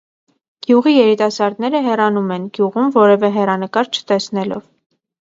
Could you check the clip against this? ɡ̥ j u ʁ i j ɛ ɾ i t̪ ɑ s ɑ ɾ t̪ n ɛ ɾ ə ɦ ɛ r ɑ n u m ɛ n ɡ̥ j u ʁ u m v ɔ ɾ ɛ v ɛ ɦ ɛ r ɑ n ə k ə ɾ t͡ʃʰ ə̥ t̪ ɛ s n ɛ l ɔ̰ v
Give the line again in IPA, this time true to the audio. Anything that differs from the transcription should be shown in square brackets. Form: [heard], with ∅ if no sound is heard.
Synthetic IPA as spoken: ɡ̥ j u ʁ i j ɛ ɾ i t̪ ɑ s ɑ ɾ [d̪] n ɛ ɾ ə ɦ ɛ r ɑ n u m ɛ n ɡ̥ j u ʁ u m v ɔ ɾ ɛ v ɛ ɦ ɛ r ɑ n ə k [ɑ] ɾ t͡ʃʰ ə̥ t̪ ɛ s n ɛ l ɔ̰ v